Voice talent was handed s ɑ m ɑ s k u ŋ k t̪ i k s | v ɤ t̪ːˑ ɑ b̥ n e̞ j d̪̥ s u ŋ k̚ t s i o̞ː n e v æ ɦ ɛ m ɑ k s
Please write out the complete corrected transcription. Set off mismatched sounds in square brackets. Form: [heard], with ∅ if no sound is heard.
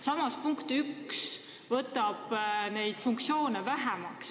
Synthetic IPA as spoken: s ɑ m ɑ s [p] u ŋ k t̪ [y] k s | v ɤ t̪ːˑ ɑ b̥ n e̞ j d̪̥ [f] u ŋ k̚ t s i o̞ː n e v æ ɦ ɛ m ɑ k s